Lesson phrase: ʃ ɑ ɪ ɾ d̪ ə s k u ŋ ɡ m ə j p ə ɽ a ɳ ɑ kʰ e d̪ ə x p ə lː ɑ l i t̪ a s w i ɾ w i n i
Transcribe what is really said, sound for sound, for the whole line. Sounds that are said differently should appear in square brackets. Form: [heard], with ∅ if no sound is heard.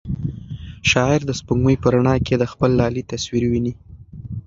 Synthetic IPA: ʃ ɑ ɪ ɾ d̪ ə s [p] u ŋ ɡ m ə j p ə [ɾ] a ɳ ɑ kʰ e d̪ ə x p ə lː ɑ l i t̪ a s w i ɾ w i n i